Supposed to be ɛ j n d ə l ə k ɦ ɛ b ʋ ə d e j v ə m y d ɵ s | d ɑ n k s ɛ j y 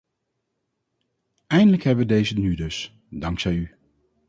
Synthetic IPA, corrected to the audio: ɛ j n d ə l ə k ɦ ɛ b ʋ ə d e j z ə n y d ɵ s | d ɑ ŋ k s ɛ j y